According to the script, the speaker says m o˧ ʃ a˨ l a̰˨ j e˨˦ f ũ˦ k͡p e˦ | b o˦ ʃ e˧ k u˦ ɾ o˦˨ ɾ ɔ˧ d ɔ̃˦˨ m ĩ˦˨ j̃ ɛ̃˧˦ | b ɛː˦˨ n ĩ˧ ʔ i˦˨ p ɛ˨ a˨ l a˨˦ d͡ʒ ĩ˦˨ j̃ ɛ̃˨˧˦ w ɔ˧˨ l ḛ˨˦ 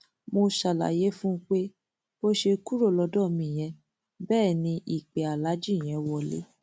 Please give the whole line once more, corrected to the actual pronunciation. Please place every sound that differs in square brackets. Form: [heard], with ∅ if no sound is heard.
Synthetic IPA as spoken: m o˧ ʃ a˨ l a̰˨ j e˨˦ f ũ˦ k͡p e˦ | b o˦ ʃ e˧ k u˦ ɾ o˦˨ [l] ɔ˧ d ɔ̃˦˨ m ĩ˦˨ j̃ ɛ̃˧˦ | b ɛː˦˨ n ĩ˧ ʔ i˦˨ [k͡p] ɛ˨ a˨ l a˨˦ d͡ʒ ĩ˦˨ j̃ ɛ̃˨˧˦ w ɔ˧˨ l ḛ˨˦